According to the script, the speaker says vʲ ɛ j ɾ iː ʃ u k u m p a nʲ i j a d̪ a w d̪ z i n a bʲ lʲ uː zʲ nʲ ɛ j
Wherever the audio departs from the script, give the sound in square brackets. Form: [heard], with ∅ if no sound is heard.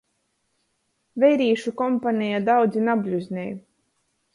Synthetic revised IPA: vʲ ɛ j ɾ iː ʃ u k [ɔ] m p a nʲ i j a d̪ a w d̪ z i n a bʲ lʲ [u] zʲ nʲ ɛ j